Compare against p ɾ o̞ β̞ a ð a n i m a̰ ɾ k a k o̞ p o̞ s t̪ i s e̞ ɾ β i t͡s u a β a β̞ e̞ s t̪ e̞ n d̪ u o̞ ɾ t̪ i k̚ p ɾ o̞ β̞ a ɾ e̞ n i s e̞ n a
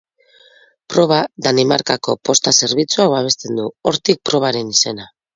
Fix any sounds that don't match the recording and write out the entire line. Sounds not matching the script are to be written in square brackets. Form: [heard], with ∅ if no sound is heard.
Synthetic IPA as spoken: p ɾ o̞ β̞ a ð a n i m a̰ ɾ k a k o̞ p o̞ s t̪ [a] s e̞ ɾ β i t͡s u a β a β̞ e̞ s t̪ e̞ n d̪ u o̞ ɾ t̪ i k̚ p ɾ o̞ β̞ a ɾ e̞ n i s e̞ n a

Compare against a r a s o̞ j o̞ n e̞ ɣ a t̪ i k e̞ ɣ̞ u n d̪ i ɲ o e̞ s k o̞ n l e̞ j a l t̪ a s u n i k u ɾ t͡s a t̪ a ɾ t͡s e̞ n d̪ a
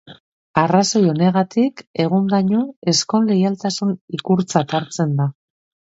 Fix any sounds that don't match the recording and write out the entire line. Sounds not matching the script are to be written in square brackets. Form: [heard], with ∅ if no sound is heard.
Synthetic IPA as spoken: a r a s o̞ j o̞ n e̞ ɣ a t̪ i k e̞ ɣ̞ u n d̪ [a] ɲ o e̞ s k o̞ n l e̞ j a l t̪ a s u n i k u ɾ t͡s a t̪ a ɾ t͡s e̞ n d̪ a

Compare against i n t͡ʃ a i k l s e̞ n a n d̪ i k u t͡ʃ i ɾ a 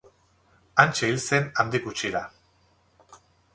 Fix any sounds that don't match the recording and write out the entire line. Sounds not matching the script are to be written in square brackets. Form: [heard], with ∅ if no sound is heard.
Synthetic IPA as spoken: [a] n t͡ʃ [e] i [∅] l s e̞ n a n d̪ i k u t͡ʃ i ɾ a

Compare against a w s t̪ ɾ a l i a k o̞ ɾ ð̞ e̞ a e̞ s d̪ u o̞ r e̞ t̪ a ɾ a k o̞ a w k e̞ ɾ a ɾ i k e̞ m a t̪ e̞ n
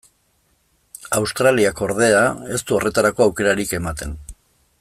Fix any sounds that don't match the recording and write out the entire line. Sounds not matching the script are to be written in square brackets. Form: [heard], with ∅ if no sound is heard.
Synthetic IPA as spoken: a w s t̪ ɾ a l i a k o̞ ɾ ð̞ e̞ a e̞ s [t̪] u o̞ r e̞ t̪ a ɾ a k o̞ a w k e̞ ɾ a ɾ i k e̞ m a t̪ e̞ n

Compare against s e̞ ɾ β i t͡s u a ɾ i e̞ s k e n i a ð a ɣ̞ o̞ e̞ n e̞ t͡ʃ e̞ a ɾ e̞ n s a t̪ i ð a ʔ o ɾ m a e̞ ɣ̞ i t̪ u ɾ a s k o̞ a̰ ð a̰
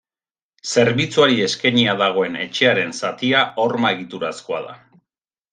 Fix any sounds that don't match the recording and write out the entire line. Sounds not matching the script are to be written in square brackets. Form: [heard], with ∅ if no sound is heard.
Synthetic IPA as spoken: s e̞ ɾ β i t͡s u a ɾ i e̞ s k e [ɲ] i a ð a ɣ̞ o̞ e̞ n e̞ t͡ʃ e̞ a ɾ e̞ n s a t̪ i [∅] a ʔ o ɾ m a e̞ ɣ̞ i t̪ u ɾ a s k o̞ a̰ ð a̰

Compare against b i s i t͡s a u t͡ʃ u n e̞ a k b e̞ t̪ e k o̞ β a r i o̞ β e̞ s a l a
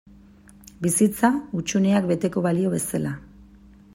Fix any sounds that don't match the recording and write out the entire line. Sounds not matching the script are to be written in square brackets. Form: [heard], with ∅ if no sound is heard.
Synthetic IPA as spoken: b i s i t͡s a u t͡ʃ u n e̞ a k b e̞ t̪ e k o̞ β a [l] i o̞ β e̞ s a l a

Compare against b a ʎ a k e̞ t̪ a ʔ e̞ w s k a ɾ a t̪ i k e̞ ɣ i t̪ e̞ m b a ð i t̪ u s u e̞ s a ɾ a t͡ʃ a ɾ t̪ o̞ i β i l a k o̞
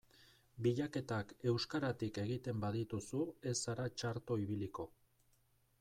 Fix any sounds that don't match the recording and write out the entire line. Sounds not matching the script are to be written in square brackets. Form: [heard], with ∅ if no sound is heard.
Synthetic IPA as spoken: b [i] ʎ a k e̞ t̪ a [k] e̞ w s k a ɾ a t̪ i k e̞ ɣ i t̪ e̞ m b a ð i t̪ u s u e̞ s a ɾ a t͡ʃ a ɾ t̪ o̞ i β i l [i] k o̞

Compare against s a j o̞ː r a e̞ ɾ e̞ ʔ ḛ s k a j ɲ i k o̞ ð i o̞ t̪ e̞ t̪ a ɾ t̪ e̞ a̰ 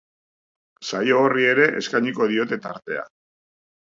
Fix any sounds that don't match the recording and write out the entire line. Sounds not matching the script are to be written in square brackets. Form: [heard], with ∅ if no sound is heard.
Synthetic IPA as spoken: s a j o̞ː r [i] e̞ ɾ e̞ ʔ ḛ s k a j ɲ i k o̞ ð i o̞ t̪ e̞ t̪ a ɾ t̪ e̞ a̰

